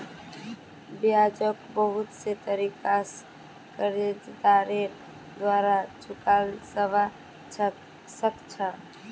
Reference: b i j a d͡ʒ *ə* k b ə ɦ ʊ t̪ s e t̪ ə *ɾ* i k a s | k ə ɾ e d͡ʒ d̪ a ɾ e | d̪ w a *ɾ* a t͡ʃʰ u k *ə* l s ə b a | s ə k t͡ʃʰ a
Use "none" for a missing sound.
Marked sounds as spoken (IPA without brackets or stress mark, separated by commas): ə, ɾ, ɾ, a